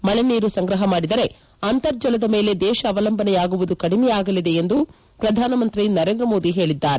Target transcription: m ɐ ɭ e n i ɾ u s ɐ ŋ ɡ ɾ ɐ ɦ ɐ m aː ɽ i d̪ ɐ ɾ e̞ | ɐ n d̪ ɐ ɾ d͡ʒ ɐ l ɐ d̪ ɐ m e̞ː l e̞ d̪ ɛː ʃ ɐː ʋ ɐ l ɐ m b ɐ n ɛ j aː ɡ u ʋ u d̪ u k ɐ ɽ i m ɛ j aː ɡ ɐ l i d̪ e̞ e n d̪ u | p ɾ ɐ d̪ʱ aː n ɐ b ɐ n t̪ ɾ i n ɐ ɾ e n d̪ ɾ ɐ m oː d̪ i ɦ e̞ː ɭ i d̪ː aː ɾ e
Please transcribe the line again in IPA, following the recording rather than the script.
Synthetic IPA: m ɐ ɭ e n iː ɾ u s ɐ ŋ ɡ ɾ ɐ ɦ ɐ m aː ɽ i d̪ ɐ ɾ e̞ | ɐ n t̪ ɐ ɾ d͡ʒ ɐ l ɐ d̪ ɐ m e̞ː l e̞ d̪ ɛː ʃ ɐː ʋ ɐ l ɐ m b ɐ n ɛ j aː ɡ u ʋ u d̪ u k ɐ ɽ i m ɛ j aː ɡ ɐ l i d̪ e̞ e n d̪ u | p ɾ ɐ d̪ʱ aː n ɐ m ɐ n t̪ ɾ i n ɐ ɾ e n d̪ ɾ ɐ m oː d̪ i ɦ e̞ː ɭ i d̪ː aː ɾ e